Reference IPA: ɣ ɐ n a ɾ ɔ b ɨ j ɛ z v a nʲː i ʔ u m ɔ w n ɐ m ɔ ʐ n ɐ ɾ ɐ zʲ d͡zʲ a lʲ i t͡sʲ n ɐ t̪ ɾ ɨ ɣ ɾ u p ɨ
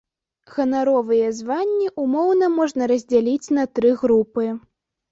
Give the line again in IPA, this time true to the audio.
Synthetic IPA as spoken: ɣ ɐ n a ɾ ɔ v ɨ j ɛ z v a nʲː i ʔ u m ɔ w n ɐ m ɔ ʐ n ɐ ɾ ɐ zʲ d͡zʲ a lʲ i t͡sʲ n ɐ t̪ ɾ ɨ ɣ ɾ u p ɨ